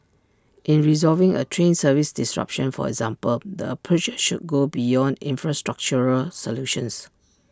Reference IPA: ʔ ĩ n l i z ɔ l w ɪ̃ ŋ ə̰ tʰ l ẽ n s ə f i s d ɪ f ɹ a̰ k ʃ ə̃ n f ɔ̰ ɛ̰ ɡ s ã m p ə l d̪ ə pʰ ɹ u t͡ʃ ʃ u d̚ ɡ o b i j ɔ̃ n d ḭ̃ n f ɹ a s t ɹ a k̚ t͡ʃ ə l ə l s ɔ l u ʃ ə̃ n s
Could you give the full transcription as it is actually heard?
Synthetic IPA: ʔ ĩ n ɹ i z ɔ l v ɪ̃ ŋ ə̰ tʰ ɹ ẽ n s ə v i s d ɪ s ɹ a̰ p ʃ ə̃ n f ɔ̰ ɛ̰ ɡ z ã m p ə l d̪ ə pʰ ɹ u t͡ʃ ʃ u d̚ ɡ o b i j ɔ̃ n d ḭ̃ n f ɹ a s t ɹ a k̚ t͡ʃ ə ɹ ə l s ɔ l u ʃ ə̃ n s

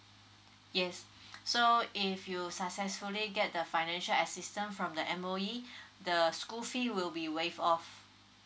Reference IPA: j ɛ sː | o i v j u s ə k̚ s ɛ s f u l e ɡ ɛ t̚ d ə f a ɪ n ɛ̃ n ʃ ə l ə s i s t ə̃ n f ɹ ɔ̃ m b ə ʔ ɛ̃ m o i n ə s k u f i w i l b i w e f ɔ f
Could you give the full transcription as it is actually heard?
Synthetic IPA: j ɛ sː | o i f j u s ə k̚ s ɛ s f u l i ɡ ɛ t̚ d ə f a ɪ n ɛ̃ n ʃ ə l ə s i s t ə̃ n f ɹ ɔ̃ m d ə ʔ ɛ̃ m o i d ə s k u f i w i l b i w e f ɔ f

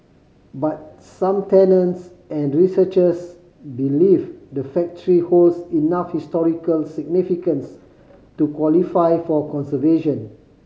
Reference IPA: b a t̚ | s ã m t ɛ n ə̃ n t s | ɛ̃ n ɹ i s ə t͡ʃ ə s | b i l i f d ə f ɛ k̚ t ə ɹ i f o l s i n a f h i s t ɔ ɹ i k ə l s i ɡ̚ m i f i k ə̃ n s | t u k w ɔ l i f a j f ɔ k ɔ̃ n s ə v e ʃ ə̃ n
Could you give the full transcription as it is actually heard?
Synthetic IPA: b a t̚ | s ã m t ɛ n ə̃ n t s | ɛ̃ n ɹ i s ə t͡ʃ ə s | b i l i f d ə f ɛ k̚ t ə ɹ i h o l s i n a f h i s t ɔ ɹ i k ə l s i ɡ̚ n i f i k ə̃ n s | t u k w ɔ l i f a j f ɔ k ɔ̃ n s ə v e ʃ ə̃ n

